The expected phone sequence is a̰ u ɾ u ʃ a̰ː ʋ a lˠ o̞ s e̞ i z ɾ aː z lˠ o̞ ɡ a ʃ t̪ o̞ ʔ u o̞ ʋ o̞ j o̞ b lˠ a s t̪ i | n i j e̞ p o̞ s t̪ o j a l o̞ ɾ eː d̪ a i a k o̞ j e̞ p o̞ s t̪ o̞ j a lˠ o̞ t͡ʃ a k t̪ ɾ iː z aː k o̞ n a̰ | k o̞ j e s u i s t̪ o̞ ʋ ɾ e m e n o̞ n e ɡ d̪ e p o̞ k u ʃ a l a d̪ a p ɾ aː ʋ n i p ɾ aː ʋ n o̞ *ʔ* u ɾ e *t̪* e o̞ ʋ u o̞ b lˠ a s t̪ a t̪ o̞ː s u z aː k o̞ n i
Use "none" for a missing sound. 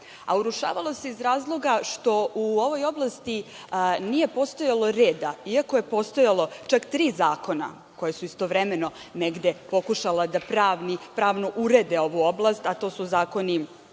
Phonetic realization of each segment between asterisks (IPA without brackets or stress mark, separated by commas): ʔ, d̪